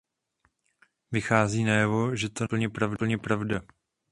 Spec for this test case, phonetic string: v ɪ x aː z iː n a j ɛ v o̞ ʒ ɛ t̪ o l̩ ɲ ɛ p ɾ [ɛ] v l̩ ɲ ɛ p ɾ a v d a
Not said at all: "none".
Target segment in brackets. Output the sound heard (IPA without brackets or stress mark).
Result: a